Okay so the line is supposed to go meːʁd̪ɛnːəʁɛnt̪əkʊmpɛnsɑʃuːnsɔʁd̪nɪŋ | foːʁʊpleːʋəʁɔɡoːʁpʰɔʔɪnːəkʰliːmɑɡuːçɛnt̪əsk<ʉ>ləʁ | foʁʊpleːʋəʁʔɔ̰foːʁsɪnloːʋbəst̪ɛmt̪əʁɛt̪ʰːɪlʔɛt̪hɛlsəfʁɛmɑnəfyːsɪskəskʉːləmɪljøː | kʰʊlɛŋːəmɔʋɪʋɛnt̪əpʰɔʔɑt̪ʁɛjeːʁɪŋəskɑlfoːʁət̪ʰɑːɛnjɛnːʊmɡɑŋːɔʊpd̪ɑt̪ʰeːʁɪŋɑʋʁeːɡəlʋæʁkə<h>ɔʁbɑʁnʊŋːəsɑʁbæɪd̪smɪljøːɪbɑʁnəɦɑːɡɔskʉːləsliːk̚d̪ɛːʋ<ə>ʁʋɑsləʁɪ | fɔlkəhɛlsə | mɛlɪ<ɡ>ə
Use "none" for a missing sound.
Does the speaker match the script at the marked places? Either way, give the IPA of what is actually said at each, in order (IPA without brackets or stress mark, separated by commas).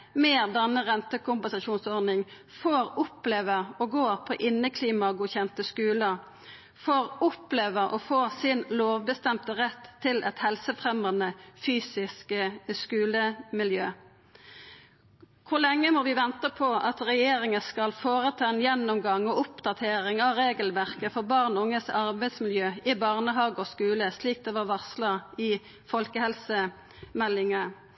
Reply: ʉː, f, ɑ, ŋ